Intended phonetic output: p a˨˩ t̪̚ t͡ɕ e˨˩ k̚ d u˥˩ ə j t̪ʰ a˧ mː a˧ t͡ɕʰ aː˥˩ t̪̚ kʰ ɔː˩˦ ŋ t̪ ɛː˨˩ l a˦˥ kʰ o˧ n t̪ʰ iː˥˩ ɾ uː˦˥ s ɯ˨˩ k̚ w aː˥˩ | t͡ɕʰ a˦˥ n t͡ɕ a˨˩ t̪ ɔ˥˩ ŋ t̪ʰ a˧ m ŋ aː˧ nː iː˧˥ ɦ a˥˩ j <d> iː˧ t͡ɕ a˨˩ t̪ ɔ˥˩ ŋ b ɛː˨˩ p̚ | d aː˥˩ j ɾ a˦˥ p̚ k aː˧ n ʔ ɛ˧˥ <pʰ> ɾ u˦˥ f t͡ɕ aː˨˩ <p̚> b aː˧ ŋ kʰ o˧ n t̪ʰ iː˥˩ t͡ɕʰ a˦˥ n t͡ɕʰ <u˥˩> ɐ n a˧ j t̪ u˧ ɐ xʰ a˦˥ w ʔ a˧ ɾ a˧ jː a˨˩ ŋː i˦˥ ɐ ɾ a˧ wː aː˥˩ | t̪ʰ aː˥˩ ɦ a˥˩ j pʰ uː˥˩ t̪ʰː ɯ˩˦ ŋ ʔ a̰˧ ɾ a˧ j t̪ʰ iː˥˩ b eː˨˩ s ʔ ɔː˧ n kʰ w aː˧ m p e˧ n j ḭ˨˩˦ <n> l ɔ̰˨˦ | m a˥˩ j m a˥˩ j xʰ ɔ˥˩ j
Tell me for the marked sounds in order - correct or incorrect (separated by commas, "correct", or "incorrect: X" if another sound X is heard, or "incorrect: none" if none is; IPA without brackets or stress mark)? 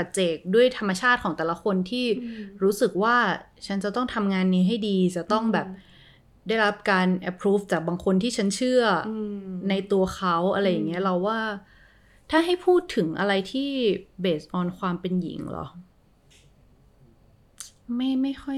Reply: correct, correct, incorrect: k̚, incorrect: ɯ˥˩, incorrect: ŋ